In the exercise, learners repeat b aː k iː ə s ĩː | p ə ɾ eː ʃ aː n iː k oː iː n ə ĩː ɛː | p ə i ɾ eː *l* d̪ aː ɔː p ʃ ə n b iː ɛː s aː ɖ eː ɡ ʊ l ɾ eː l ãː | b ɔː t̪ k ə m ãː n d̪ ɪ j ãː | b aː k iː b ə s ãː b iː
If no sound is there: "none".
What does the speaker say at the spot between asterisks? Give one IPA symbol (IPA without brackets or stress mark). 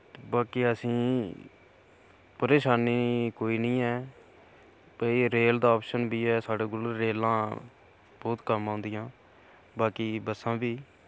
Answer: l